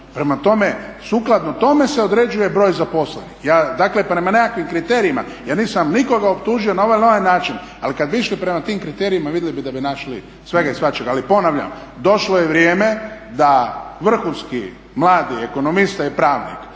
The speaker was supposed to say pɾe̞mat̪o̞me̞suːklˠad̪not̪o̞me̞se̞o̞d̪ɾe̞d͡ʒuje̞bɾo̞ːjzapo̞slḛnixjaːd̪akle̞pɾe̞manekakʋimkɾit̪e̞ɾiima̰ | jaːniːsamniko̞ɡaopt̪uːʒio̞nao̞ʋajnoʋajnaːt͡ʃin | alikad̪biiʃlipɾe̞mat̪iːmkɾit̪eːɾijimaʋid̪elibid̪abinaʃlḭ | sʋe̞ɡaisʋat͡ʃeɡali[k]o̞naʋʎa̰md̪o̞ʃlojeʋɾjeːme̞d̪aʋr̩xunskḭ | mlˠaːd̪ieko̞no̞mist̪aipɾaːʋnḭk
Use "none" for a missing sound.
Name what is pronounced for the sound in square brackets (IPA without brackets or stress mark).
p